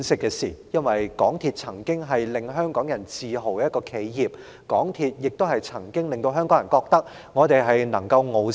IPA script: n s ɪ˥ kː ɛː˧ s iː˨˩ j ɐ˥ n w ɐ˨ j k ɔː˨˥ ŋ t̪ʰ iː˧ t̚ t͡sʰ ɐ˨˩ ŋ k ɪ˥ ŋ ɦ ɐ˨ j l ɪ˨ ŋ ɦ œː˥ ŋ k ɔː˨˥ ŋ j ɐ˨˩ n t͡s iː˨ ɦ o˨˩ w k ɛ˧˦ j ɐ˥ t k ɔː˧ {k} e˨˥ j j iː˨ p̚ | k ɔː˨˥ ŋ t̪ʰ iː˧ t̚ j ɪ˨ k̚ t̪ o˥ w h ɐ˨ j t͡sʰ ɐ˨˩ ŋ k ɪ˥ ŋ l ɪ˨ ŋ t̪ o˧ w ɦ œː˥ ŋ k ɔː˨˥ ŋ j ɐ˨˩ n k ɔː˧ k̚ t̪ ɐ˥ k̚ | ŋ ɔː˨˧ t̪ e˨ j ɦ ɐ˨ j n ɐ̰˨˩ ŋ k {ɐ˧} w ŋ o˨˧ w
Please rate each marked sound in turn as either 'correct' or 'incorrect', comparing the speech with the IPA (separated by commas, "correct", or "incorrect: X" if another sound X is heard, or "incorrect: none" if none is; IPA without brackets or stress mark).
incorrect: kʰ, correct